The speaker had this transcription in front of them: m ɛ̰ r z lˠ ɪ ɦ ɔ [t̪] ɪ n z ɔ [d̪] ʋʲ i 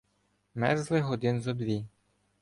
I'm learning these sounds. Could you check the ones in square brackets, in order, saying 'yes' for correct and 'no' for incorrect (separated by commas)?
no, yes